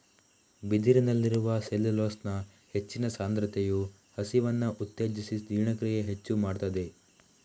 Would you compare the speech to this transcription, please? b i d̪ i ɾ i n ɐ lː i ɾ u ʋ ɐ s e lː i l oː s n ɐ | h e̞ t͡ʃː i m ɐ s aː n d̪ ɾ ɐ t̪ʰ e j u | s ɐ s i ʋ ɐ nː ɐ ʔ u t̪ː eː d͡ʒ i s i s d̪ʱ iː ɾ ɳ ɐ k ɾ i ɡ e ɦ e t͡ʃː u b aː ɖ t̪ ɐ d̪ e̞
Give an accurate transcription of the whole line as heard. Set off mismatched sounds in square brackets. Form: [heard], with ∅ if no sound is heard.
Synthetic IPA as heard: b i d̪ i ɾ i n ɐ lː i ɾ u ʋ ɐ s e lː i l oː s n ɐ | h e̞ t͡ʃː i [n] ɐ s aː n d̪ ɾ ɐ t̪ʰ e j u | [h] ɐ s i ʋ ɐ nː ɐ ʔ u t̪ː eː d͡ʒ i s i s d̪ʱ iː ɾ ɳ ɐ k ɾ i ɡ e ɦ e t͡ʃː u [m] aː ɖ t̪ ɐ d̪ e̞